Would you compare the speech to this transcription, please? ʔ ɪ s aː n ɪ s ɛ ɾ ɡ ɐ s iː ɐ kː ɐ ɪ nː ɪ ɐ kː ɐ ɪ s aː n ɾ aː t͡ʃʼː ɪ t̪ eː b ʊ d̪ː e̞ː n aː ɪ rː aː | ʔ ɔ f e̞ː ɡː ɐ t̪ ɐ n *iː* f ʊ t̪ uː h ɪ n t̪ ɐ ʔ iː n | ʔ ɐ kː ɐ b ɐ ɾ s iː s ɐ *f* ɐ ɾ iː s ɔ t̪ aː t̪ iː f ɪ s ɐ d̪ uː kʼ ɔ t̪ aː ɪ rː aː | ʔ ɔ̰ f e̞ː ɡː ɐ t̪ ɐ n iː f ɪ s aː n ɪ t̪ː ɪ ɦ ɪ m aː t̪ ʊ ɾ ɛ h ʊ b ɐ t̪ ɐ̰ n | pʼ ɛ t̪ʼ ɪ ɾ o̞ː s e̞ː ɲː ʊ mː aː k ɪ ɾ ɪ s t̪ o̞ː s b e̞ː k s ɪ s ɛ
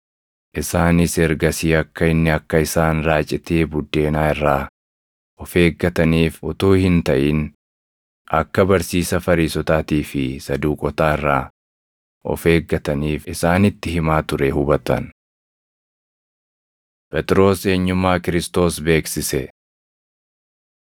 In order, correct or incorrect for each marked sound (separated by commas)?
correct, correct